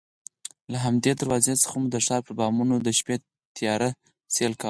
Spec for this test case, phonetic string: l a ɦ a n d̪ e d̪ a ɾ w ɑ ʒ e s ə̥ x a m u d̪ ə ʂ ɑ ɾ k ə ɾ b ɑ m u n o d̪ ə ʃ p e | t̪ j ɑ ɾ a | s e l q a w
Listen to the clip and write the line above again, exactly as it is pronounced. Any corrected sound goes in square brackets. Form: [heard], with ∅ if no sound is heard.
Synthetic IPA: l a ɦ a [m] d̪ e d̪ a ɾ w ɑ [z] e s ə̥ x a m u d̪ ə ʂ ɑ ɾ [p] ə ɾ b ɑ m u n o d̪ ə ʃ p e | t̪ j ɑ ɾ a | s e l [k] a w